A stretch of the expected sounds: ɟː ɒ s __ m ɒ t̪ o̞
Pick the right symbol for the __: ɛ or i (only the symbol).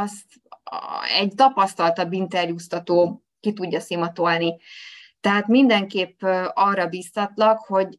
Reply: i